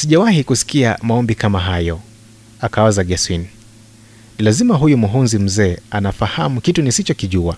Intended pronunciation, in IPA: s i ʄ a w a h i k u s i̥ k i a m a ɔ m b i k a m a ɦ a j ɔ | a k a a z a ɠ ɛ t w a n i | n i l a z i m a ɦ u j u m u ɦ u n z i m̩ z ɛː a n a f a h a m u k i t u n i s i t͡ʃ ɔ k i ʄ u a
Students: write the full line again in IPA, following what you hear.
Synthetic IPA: s i ʄ a w a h i k u s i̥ k i a m a ɔ m b i k a m a ɦ a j ɔ | a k a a z a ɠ ɛ s w i n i | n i l a z i m a ɦ u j u m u ɦ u n z i m̩ z ɛː a n a f a h a m u k i t u n i s i t͡ʃ ɔ k i ʄ u a